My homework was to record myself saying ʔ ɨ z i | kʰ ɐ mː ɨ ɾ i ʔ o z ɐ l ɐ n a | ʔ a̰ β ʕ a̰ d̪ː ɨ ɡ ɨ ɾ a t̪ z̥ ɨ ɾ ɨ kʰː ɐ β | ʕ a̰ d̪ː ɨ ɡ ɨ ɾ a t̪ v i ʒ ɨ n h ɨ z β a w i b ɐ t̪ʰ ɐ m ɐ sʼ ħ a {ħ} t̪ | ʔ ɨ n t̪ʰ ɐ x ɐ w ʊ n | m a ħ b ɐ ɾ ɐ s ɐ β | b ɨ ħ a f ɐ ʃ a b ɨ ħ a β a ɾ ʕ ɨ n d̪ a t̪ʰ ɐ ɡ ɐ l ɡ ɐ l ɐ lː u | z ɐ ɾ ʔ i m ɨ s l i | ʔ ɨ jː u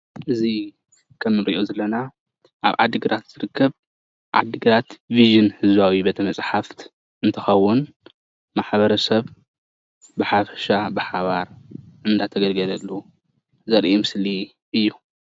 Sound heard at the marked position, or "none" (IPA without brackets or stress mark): f